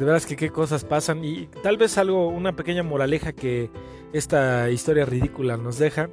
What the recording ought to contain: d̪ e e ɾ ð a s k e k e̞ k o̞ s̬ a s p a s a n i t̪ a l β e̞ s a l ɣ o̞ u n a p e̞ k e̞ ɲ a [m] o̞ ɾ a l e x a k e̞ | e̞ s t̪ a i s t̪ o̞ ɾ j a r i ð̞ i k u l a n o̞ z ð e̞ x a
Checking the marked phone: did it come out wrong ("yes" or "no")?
no